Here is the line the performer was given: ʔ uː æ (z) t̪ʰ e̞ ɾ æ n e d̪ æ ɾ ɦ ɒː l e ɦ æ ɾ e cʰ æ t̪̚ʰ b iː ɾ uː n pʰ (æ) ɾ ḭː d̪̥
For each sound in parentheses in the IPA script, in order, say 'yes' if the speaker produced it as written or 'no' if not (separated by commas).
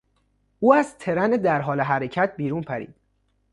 yes, yes